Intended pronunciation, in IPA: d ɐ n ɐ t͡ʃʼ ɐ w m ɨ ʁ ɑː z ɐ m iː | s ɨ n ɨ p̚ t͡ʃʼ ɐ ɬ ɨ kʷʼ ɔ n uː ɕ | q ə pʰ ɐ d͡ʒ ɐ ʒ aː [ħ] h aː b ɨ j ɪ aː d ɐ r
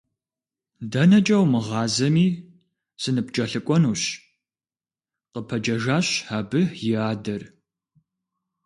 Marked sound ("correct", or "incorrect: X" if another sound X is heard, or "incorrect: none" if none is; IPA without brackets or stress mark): incorrect: ɕ